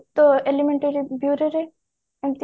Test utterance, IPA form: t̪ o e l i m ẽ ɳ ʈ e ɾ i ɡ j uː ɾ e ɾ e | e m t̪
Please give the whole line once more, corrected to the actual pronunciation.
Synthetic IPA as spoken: t̪ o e l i m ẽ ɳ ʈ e ɾ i b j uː ɾ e ɾ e | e m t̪